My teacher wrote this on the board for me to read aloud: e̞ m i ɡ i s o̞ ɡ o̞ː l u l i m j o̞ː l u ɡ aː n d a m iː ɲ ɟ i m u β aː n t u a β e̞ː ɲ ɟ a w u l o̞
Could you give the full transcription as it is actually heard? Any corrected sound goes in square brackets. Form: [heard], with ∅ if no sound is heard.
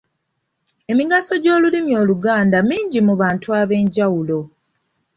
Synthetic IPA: e̞ m i ɡ [a] s o̞ [ɟ] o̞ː l u l i m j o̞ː l u ɡ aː n d a m iː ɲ ɟ i m u β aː n t u a β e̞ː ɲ ɟ a w u l o̞